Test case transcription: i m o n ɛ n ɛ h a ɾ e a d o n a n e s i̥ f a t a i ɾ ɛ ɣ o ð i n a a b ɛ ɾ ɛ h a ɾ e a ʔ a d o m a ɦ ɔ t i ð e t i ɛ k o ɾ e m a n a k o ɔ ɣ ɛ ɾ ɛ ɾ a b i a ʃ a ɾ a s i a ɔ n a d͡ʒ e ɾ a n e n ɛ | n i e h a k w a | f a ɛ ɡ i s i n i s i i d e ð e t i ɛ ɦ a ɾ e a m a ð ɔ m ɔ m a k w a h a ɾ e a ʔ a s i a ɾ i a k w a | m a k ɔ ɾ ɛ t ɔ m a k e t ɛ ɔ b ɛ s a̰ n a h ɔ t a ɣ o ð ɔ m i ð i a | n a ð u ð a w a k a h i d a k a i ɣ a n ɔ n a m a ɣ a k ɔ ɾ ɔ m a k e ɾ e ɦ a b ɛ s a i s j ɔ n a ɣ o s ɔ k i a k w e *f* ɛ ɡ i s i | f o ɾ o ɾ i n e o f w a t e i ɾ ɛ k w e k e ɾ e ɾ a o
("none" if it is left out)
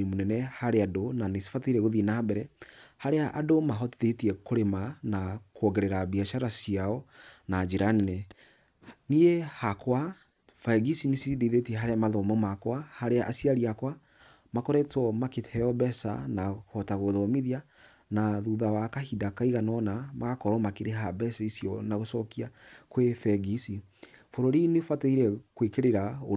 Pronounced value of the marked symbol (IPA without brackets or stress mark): f